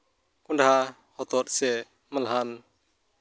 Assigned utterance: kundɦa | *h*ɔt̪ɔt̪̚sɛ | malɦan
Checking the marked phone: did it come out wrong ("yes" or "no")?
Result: no